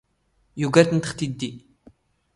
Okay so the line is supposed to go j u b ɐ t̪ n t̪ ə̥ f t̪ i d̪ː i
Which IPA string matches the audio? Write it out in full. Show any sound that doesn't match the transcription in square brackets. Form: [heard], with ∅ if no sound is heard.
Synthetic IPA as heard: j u [ɡ] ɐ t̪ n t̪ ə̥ [χ] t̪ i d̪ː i